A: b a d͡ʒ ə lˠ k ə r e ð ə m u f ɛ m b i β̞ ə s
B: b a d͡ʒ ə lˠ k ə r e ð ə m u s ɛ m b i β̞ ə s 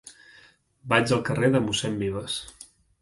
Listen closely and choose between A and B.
B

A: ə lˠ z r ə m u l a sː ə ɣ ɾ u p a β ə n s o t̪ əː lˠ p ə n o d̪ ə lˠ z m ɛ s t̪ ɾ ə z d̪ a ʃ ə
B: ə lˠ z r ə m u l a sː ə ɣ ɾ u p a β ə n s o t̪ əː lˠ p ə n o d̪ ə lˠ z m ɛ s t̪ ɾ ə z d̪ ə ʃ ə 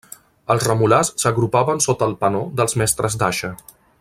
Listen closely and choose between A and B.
A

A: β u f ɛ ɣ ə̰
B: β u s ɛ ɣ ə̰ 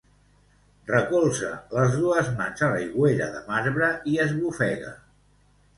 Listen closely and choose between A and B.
A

